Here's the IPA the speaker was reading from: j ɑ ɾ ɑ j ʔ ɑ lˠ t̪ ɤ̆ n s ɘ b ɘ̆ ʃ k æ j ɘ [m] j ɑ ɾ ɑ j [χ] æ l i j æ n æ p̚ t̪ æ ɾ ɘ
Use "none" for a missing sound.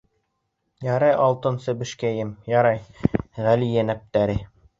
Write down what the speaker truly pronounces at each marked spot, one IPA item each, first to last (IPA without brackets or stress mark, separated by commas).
m, ʁ